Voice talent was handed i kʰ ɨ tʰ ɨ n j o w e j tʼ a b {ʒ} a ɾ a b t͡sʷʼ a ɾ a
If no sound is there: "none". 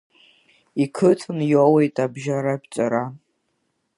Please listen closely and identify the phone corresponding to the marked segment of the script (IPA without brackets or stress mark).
ʒ